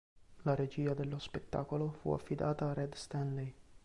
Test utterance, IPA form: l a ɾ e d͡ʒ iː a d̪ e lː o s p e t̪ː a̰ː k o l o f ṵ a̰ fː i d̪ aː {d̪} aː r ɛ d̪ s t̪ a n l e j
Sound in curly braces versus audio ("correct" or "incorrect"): incorrect